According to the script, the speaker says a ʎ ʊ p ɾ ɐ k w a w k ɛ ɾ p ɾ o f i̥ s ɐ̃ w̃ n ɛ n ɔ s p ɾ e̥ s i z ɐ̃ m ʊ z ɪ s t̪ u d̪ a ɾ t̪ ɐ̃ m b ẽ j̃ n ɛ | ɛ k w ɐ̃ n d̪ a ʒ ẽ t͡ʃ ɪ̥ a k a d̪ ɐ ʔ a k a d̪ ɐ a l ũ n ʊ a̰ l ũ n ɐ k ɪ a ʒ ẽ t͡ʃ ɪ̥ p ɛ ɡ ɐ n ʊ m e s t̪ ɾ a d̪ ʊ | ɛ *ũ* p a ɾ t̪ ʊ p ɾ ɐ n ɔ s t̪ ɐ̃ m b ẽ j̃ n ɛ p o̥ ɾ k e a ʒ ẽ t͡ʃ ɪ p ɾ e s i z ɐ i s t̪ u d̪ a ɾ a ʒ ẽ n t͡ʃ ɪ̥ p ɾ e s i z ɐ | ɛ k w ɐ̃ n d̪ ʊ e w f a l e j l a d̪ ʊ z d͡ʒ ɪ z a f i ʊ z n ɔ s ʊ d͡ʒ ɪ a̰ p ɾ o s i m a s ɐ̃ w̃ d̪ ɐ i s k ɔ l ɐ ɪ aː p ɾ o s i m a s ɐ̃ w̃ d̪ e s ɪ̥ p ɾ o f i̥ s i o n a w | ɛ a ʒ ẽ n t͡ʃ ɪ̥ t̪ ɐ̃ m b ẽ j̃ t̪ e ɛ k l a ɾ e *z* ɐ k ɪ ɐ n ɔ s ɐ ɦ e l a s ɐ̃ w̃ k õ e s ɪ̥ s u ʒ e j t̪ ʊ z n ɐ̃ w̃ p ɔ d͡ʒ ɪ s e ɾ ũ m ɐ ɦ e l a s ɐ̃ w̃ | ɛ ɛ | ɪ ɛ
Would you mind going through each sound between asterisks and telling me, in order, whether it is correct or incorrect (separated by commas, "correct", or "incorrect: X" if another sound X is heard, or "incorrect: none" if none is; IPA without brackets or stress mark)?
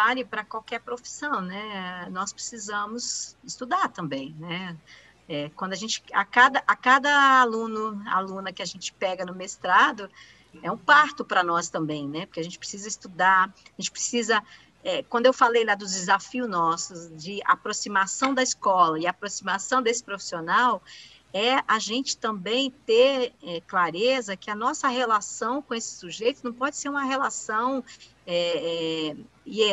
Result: correct, correct